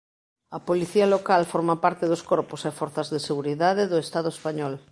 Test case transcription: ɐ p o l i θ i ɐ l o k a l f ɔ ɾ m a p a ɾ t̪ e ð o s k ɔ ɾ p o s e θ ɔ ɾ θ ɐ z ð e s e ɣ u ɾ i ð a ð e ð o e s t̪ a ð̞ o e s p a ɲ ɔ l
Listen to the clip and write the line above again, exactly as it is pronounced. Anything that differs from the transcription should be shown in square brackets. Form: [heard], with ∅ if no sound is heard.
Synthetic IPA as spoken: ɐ p o l i θ i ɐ l o k a l f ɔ ɾ m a p a ɾ t̪ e ð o s k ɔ ɾ p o s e [f] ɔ ɾ θ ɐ z ð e s e ɣ u ɾ i ð a ð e ð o e s t̪ a ð̞ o e s p a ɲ ɔ l